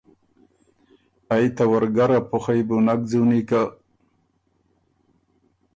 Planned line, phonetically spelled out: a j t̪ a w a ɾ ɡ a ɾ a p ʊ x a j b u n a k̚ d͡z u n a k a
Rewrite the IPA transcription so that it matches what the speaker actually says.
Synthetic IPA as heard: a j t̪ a w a ɾ ɡ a ɾ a p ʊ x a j b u n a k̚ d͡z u n i k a

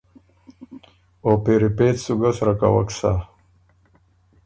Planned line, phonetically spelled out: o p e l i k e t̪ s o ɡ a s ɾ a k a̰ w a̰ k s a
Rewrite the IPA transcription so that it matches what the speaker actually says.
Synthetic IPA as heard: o p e ɾ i p e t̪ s u ɡ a s ɾ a k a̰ w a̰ k s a

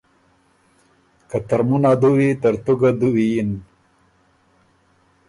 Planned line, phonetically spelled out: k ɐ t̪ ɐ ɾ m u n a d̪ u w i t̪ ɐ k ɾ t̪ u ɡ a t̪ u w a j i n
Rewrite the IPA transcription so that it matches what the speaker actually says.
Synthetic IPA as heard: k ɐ t̪ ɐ ɾ m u n a d̪ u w i t̪ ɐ ɾ t̪ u ɡ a d̪ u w i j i n

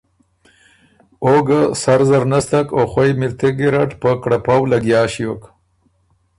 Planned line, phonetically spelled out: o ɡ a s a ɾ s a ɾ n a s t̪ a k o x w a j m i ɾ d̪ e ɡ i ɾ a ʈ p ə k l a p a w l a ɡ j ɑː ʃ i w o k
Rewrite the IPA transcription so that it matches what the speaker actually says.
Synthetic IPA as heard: o ɡ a s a ɾ z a ɾ n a s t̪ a k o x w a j m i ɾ t̪ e ɡ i ɾ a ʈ p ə k ɽ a p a w l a ɡ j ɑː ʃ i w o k

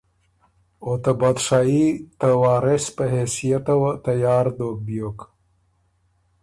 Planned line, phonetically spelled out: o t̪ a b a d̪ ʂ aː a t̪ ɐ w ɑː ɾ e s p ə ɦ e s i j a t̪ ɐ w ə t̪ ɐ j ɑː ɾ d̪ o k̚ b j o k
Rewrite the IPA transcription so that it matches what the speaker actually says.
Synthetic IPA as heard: o t̪ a b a d̪ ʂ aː i t̪ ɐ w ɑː ɾ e s p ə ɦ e s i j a t̪ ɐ w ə t̪ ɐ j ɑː ɾ d̪ o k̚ b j o k

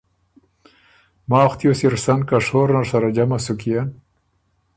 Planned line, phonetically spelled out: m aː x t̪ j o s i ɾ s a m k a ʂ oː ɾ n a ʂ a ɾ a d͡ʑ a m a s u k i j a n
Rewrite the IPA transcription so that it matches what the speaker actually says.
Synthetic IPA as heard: m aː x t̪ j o s i ɾ s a n k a ʂ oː ɾ n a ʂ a ɾ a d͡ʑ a m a s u k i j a n

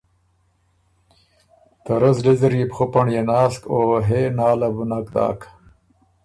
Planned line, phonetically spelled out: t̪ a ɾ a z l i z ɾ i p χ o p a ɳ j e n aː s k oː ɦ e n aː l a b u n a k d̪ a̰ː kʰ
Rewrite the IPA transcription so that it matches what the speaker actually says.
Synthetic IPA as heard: t̪ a ɾ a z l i z ɾ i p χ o p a ɳ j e n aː s k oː ɦ e n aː l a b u n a k d̪ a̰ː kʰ

